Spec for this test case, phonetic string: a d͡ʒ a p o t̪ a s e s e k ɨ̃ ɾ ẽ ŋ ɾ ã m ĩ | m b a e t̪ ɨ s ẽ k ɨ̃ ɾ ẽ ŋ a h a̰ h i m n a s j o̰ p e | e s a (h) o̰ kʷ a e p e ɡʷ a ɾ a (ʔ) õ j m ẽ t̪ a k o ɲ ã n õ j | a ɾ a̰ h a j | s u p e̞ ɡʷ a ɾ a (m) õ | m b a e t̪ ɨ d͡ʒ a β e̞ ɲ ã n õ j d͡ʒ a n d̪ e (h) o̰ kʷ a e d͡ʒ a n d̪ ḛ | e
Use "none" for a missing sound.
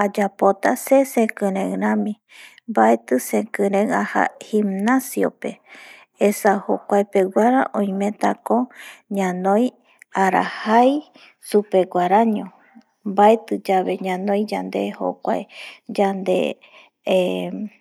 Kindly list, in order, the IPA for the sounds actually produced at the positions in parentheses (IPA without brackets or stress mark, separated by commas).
h, ʔ, ɲ, h